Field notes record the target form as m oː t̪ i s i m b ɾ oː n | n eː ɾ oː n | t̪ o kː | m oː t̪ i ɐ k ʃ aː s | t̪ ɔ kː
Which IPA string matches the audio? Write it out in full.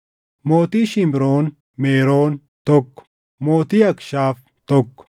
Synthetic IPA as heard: m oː t̪ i ʃ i m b ɾ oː n | m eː ɾ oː n | t̪ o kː | m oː t̪ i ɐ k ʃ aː f | t̪ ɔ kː